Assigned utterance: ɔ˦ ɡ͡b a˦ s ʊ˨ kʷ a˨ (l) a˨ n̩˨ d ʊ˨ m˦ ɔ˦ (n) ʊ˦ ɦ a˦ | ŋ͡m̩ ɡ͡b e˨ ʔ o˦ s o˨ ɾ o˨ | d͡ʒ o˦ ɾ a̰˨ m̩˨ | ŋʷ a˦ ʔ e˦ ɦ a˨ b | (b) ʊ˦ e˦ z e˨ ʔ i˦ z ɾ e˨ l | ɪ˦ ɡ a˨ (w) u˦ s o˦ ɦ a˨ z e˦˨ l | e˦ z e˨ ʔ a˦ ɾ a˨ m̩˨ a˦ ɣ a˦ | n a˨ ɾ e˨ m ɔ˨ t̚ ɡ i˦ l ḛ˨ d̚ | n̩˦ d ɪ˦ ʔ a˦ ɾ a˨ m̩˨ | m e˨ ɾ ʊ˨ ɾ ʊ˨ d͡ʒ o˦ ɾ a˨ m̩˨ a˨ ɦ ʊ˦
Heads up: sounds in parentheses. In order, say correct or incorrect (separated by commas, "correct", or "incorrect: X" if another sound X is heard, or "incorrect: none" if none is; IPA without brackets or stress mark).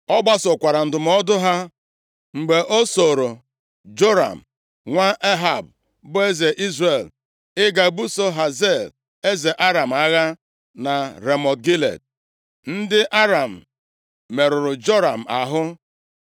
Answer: incorrect: ɾ, incorrect: d, correct, incorrect: b